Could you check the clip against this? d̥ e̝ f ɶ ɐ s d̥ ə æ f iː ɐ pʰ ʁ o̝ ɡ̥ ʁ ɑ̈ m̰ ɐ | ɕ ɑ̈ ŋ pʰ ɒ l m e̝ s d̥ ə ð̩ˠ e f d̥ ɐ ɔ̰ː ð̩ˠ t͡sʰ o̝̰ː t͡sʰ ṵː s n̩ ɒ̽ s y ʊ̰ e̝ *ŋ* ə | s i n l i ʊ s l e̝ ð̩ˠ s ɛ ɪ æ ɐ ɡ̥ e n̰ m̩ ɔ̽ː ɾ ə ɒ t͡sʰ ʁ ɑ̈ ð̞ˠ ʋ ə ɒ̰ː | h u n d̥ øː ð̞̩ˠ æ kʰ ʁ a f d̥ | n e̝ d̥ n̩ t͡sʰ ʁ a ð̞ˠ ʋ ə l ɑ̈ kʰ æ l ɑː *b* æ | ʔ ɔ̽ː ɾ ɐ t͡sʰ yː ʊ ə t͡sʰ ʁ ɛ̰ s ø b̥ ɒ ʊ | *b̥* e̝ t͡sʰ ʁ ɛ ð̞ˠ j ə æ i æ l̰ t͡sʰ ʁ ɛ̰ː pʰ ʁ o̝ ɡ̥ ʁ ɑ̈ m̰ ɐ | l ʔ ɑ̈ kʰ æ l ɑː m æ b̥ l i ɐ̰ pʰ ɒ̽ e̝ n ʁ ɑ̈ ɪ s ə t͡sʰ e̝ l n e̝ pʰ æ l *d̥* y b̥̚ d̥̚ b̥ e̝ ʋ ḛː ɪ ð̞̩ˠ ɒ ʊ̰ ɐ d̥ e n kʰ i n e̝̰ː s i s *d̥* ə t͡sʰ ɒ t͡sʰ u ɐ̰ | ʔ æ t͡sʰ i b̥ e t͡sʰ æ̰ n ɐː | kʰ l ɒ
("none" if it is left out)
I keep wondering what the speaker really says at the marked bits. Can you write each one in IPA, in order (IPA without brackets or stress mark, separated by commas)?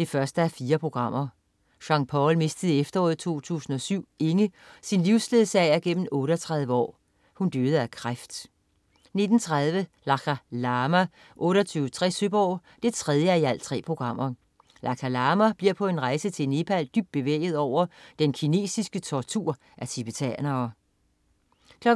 ŋ, m, d̥, d̥, ɡ̥